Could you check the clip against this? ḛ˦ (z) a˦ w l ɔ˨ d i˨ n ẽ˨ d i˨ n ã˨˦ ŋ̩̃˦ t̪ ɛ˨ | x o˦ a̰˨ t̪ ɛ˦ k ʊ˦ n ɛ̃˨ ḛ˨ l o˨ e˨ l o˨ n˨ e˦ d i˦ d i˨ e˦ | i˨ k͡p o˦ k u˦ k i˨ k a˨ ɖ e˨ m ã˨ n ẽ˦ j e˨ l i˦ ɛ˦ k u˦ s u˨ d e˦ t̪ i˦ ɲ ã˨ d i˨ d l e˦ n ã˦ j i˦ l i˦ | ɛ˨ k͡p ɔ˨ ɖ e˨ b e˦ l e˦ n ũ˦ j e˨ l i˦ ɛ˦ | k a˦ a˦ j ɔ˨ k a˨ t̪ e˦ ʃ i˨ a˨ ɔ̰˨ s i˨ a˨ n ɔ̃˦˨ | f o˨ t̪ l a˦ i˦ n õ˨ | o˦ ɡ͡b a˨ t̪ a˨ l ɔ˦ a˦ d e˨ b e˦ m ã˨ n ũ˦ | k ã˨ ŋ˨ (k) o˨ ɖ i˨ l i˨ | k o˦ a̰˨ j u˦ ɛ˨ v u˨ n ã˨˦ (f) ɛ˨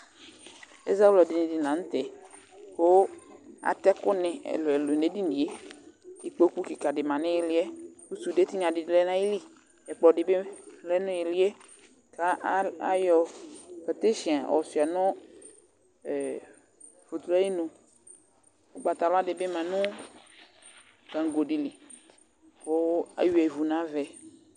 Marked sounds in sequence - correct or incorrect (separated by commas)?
correct, incorrect, incorrect